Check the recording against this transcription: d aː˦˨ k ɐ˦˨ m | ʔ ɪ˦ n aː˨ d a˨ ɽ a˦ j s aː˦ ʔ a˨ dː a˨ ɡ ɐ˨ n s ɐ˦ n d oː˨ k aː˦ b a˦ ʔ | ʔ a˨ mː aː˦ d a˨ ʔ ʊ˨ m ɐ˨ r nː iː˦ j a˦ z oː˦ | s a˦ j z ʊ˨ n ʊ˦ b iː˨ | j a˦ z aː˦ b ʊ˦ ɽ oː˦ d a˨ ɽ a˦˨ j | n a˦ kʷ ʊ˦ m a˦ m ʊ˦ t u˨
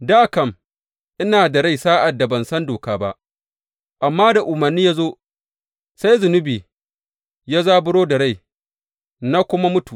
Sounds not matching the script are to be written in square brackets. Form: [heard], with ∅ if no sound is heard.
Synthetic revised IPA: d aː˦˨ k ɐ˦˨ m | ʔ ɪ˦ n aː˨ d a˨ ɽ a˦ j s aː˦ ʔ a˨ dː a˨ [b] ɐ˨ n s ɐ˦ n d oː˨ k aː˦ b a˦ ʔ | ʔ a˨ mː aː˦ d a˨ ʔ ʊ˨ m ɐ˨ r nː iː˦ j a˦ z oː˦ | s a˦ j z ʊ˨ n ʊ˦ b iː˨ | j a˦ z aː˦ b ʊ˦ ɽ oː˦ d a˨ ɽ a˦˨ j | n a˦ kʷ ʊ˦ m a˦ m ʊ˦ t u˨

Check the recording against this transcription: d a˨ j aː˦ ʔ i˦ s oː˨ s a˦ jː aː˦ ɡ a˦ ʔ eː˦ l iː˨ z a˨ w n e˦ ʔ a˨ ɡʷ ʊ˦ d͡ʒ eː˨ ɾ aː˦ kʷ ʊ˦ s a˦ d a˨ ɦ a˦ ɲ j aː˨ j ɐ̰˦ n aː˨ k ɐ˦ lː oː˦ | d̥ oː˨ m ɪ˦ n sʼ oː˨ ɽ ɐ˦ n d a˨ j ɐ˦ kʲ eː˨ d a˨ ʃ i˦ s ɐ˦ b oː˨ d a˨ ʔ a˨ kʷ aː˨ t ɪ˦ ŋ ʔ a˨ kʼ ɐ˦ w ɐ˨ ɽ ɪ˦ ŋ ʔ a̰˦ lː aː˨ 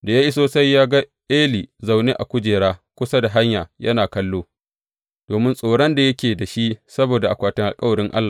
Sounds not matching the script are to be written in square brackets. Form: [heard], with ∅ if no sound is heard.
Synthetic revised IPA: d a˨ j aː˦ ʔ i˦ s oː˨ s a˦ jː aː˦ ɡ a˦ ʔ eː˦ l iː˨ z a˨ w n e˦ ʔ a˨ [kʷ] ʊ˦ d͡ʒ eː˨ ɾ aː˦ kʷ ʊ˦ s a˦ d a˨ ɦ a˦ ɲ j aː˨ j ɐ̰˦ n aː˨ k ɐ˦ lː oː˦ | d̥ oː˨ m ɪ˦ n sʼ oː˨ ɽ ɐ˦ n d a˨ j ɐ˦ kʲ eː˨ d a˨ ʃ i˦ s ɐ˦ b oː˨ d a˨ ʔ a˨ kʷ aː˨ t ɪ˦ ŋ ʔ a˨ kʼ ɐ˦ w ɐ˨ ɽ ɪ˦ ŋ ʔ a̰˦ lː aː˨

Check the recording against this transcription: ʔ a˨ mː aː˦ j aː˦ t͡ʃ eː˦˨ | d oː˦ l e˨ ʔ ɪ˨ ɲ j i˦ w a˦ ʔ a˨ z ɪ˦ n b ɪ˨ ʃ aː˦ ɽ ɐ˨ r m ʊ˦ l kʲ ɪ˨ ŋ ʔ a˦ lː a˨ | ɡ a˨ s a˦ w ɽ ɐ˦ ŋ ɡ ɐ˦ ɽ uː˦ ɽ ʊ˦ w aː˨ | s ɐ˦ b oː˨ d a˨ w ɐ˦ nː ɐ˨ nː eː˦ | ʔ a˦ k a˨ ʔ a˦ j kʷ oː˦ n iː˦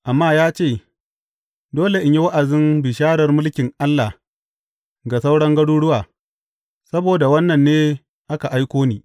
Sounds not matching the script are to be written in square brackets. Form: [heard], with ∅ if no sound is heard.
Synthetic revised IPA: ʔ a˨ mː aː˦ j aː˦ t͡ʃ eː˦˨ | d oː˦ l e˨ ʔ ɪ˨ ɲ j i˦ w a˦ ʔ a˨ z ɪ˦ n b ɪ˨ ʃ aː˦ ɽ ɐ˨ r m ʊ˦ l kʲ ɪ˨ ŋ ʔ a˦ lː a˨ | ɡ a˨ s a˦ w ɽ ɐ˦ ŋ ɡ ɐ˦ ɽ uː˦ ɽ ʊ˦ w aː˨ | s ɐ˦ b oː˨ d a˨ w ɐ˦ nː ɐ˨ nː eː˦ | ʔ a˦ k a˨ ʔ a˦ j kʷ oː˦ n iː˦

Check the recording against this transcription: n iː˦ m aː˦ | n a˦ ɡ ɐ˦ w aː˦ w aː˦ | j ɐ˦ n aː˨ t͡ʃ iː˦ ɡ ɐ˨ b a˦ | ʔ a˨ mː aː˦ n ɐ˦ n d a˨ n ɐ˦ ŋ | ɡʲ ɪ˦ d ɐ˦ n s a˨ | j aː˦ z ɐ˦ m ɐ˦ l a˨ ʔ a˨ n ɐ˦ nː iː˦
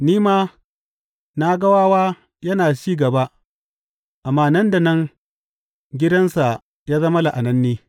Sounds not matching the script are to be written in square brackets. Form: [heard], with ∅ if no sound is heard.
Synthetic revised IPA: n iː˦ m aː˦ | n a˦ ɡ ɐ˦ w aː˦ w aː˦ | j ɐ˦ n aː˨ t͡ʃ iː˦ ɡ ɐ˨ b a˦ | ʔ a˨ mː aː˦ n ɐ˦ n d a˨ n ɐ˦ ŋ | ɡʲ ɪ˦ d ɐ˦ n s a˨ | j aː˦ z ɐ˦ m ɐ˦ l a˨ ʔ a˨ n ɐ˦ nː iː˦

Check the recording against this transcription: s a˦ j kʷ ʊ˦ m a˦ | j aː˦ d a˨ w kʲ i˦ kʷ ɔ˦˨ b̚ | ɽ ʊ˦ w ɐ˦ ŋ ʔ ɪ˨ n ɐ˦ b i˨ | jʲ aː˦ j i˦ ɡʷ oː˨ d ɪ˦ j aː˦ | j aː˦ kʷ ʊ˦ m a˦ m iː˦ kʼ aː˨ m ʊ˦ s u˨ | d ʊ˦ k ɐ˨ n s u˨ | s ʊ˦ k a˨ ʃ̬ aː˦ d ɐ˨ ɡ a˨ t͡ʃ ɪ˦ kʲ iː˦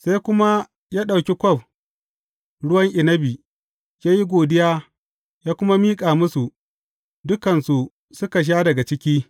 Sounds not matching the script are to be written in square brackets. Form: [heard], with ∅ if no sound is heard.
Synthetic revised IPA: s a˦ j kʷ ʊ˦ m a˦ | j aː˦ [ɗ] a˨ w kʲ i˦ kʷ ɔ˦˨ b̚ | ɽ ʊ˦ w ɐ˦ ŋ ʔ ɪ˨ n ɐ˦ b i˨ | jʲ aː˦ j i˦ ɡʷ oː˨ d ɪ˦ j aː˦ | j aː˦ kʷ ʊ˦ m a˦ m iː˦ kʼ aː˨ m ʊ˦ s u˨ | d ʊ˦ k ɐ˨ n s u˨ | s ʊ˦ k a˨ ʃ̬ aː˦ d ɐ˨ ɡ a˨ t͡ʃ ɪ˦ kʲ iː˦

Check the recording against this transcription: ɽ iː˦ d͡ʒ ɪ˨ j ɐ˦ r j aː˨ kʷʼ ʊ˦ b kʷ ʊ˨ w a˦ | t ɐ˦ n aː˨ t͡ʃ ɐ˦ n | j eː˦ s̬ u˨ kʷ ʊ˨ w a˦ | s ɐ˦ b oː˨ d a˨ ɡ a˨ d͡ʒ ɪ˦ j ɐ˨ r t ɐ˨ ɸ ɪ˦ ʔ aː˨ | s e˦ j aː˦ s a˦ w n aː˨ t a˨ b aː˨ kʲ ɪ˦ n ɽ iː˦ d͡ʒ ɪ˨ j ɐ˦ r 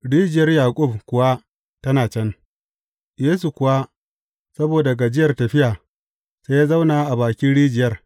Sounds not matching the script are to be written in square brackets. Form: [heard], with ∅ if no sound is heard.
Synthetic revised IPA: ɽ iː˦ d͡ʒ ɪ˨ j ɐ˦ r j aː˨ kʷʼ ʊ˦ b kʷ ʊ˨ w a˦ | t ɐ˦ n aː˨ t͡ʃ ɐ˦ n | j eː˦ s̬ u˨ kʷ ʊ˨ w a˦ | s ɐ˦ b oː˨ d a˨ ɡ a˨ d͡ʒ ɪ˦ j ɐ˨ r t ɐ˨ ɸ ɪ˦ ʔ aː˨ | s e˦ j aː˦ [z] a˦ w n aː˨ [ʔ] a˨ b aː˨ kʲ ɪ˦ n ɽ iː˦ d͡ʒ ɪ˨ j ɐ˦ r

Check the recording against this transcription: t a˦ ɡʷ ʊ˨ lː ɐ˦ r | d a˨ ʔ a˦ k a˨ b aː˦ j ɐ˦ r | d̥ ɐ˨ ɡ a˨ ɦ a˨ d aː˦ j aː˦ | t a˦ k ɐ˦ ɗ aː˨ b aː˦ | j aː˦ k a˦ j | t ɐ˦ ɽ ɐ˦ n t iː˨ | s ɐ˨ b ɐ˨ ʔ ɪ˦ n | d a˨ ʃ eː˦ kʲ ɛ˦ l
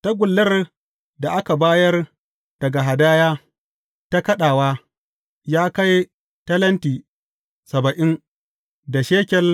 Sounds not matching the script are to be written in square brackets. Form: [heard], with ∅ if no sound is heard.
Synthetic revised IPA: t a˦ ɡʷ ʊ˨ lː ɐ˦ r | d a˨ ʔ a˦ k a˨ b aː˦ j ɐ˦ r | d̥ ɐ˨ ɡ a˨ ɦ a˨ d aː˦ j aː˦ | t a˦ k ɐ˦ ɗ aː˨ [w] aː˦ | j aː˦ k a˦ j | t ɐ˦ [l] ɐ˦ n t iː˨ | s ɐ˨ b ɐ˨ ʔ ɪ˦ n | d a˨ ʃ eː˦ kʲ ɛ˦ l

